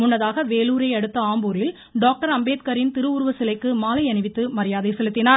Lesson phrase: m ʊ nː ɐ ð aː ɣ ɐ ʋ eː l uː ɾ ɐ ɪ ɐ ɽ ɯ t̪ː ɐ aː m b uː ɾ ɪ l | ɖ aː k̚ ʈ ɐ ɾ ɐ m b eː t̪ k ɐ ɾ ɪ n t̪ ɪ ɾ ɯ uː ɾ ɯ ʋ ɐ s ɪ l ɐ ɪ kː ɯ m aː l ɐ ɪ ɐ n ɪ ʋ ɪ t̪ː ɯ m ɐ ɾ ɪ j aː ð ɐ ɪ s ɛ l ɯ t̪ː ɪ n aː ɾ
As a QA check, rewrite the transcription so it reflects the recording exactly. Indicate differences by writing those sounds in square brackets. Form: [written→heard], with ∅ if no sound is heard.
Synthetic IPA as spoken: m ʊ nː ɐ ð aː ɣ ɐ ʋ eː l uː ɾ ɐ ɪ ɐ ɽ ɯ t̪ː ɐ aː m b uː ɾ ɪ l | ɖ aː k̚ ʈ ɐ ɾ ɐ m b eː t̪ k ɐ ɾ ɪ n t̪ ɪ ɾ ɯ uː ɾ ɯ ʋ ɐ s ɪ l ɐ ɪ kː ɯ m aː l ɐ ɪ ɐ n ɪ ʋ ɪ t̪ː ɯ m ɐ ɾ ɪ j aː ð ɐ ɪ s ɛ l ɯ t̪ː ɪ n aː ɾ